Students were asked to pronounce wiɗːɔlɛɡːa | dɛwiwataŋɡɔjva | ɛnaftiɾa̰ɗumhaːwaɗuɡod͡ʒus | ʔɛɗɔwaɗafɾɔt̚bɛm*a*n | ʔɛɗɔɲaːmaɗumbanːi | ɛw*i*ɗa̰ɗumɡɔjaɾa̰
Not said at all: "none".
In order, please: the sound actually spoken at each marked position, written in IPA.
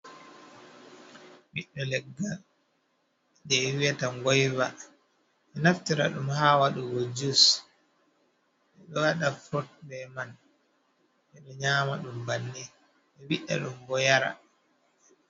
a, i

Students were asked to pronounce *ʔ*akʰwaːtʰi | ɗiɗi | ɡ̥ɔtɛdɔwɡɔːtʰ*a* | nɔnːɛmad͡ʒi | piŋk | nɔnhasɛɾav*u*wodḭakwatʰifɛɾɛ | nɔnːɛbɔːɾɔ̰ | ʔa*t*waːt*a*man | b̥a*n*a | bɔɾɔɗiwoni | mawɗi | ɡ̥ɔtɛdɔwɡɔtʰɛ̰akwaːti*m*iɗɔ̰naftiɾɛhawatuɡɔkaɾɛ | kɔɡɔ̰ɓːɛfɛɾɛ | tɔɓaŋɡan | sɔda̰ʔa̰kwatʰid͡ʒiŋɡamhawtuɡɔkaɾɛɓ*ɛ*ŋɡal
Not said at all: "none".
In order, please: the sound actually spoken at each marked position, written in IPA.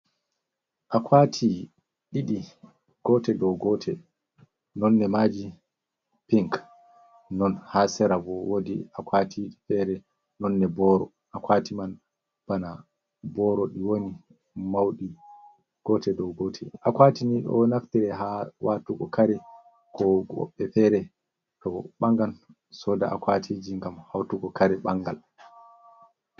ʔ, ɛ, ɔ, k, i, n, n, a

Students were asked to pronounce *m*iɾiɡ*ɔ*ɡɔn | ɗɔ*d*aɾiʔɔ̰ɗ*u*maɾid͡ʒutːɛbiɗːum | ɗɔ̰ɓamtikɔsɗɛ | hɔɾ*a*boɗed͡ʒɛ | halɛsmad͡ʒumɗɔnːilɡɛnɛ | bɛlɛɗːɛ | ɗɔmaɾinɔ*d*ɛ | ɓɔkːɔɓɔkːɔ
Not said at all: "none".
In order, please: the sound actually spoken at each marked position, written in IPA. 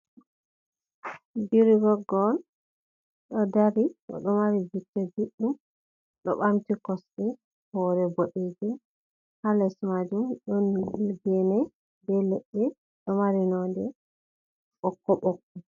b, ɔ, d, ɔ, ɛ, d

